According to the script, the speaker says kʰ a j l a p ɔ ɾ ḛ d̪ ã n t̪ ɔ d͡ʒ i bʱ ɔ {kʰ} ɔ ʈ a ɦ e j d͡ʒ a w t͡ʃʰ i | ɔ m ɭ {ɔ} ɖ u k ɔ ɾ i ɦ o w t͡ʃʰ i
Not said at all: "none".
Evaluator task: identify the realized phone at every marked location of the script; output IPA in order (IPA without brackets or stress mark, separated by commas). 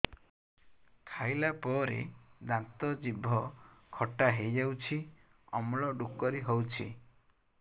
kʰ, ɔ